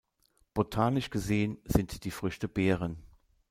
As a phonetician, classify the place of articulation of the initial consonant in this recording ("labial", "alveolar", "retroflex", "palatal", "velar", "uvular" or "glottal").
labial